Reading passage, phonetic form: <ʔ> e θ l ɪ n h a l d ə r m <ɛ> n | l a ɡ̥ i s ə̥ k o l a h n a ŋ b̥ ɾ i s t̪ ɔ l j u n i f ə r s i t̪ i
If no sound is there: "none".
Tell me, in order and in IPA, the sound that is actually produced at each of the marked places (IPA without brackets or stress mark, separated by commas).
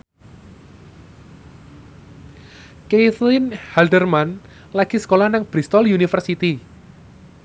k, a